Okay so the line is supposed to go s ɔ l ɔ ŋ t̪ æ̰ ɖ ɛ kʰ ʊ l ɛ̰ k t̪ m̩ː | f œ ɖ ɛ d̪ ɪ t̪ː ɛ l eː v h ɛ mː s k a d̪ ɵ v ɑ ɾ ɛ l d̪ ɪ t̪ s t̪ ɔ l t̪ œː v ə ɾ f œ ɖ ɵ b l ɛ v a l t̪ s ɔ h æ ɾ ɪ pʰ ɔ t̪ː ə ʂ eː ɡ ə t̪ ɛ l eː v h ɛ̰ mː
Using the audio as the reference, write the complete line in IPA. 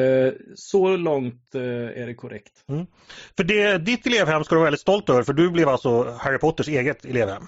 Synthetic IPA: s ɔ l ɔ ŋ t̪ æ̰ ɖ ɛ kʰ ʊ ɾ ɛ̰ k t̪ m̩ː | f œ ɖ ɛ d̪ ɪ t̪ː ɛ l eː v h ɛ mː s k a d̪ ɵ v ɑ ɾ ɛ l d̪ ɪ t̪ s t̪ ɔ l t̪ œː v ə ɾ f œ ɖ ɵ b l ɛ v a l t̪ s ɔ h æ ɾ ɪ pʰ ɔ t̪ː ə ʂ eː ɡ ə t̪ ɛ l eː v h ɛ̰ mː